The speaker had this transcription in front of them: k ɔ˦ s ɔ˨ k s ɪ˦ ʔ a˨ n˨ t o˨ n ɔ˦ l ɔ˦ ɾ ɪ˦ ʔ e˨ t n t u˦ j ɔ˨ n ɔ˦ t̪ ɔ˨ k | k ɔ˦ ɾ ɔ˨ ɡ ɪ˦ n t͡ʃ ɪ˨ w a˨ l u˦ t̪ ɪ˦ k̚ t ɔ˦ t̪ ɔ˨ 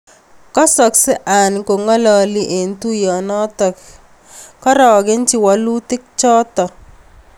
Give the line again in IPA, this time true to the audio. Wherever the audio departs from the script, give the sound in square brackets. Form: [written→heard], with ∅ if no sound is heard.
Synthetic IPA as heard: k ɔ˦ s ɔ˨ k s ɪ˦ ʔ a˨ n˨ [t→k] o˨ [n→ŋ] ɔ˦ l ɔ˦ [ɾ→l] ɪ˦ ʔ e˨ [t→∅] n t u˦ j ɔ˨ n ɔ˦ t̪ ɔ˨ k | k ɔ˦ ɾ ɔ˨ ɡ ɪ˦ n t͡ʃ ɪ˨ w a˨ l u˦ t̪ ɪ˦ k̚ [t→t͡ʃ] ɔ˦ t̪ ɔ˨